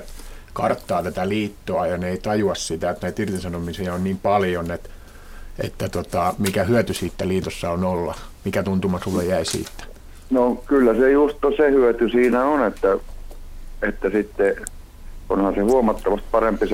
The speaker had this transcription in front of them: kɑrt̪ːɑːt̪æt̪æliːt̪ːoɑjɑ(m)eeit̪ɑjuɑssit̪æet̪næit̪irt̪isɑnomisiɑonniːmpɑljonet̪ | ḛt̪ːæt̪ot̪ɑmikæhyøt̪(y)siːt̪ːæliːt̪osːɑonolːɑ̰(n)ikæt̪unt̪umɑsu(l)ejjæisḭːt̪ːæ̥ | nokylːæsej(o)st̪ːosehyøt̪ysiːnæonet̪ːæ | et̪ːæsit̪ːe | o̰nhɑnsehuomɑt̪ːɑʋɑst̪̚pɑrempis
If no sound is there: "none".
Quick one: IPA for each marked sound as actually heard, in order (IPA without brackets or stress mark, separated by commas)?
n, y, m, lː, u